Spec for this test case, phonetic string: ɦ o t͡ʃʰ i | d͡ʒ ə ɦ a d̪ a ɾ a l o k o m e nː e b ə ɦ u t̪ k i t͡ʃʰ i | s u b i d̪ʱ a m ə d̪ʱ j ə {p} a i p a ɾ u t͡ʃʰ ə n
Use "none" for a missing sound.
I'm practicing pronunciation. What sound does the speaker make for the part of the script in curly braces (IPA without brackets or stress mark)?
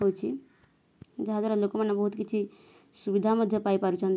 p